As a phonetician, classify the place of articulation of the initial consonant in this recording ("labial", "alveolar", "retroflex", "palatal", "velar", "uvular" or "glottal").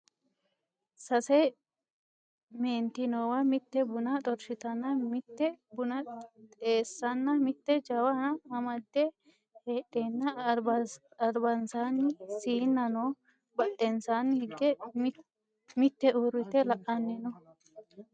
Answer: alveolar